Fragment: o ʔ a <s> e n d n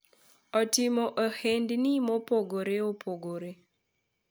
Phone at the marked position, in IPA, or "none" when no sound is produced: h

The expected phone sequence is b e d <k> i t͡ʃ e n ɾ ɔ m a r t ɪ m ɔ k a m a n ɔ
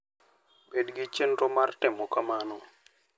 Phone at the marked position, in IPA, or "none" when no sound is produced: ɡ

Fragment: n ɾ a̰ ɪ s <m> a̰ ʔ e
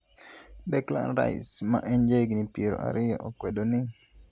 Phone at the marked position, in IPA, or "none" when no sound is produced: m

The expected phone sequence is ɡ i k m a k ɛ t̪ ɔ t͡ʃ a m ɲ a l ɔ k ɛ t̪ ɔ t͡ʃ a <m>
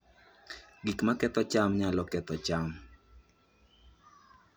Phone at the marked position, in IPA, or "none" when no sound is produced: m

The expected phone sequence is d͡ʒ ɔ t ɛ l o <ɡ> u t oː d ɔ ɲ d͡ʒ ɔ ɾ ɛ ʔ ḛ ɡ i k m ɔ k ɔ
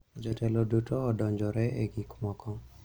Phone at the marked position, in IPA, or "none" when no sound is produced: d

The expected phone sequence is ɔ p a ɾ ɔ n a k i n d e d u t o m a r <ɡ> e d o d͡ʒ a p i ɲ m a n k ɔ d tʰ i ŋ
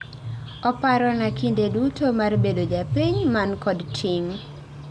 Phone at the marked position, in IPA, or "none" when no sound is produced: b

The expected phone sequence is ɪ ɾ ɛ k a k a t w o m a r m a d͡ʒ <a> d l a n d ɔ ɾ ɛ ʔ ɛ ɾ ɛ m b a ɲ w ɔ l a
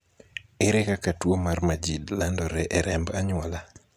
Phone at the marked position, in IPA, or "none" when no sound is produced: i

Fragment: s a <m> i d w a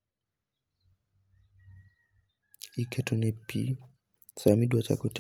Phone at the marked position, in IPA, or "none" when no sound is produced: m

